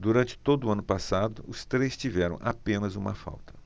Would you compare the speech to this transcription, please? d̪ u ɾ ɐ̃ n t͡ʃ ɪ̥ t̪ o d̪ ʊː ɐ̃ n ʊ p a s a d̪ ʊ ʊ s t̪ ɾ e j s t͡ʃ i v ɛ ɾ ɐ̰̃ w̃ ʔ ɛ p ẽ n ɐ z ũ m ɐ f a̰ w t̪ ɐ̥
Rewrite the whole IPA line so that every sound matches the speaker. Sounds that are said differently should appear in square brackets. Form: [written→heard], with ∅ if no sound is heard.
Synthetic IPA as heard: d̪ u ɾ ɐ̃ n t͡ʃ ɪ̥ t̪ o d̪ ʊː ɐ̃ n ʊ p a s a d̪ ʊ ʊ s t̪ ɾ e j s t͡ʃ i v ɛ ɾ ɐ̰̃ w̃ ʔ [ɛ→a] p ẽ n ɐ z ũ m ɐ f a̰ w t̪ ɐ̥

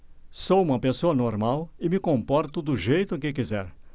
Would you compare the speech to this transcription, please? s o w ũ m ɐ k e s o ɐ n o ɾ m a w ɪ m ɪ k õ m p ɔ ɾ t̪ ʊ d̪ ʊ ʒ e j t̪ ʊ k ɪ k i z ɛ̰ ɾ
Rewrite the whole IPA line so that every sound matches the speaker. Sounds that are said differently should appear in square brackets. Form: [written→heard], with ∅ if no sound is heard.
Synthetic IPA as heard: s o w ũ m ɐ [k→p] e s o ɐ n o ɾ m a w ɪ m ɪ k õ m p ɔ ɾ t̪ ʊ d̪ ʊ ʒ e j t̪ ʊ k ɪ k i z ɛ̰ ɾ

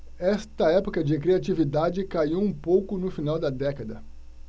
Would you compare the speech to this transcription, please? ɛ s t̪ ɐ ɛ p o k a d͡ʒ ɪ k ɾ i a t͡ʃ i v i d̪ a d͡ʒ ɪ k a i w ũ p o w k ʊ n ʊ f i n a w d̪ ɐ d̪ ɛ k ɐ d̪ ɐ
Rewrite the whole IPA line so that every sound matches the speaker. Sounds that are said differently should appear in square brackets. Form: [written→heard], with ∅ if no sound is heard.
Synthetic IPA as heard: ɛ s t̪ ɐ ɛ p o k [a→ɐ] d͡ʒ ɪ k ɾ i a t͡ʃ i v i d̪ a d͡ʒ ɪ k a i w ũ p o w k ʊ n ʊ f i n a w d̪ ɐ d̪ ɛ k ɐ d̪ ɐ

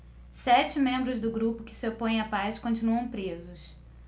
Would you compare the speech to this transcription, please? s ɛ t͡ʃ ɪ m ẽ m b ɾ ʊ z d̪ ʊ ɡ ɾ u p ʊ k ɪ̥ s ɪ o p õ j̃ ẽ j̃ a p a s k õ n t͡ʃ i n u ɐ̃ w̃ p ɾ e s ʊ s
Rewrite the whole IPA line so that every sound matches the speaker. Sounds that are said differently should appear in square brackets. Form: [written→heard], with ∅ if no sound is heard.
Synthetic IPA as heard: s ɛ t͡ʃ ɪ m ẽ m b ɾ ʊ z d̪ ʊ ɡ ɾ u p ʊ k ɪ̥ s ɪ o p õ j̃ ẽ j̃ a p a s k õ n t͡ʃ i n u ɐ̃ w̃ p ɾ e [s→z] ʊ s

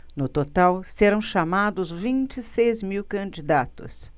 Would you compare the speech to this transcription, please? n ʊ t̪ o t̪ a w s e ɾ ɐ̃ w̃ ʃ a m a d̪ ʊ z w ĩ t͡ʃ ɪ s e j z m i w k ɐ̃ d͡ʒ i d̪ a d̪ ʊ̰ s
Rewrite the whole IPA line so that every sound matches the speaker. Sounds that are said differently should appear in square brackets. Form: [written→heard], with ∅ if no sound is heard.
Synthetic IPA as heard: n ʊ t̪ o t̪ a w s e ɾ ɐ̃ w̃ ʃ a m a d̪ ʊ z [w→v] ĩ t͡ʃ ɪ s e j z m i w k ɐ̃ d͡ʒ i d̪ a [d̪→t̪] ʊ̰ s

